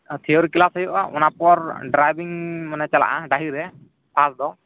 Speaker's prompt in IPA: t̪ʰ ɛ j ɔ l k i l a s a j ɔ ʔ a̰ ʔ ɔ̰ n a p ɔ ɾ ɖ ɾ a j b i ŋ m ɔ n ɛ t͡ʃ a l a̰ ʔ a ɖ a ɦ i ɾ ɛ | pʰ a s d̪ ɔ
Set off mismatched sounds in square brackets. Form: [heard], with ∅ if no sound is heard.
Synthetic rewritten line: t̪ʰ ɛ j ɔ [ɾ] k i l a s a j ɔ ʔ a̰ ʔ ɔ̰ n a p ɔ ɾ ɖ ɾ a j b i ŋ m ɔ n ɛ t͡ʃ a l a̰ ʔ a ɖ a ɦ i ɾ ɛ | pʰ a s d̪ ɔ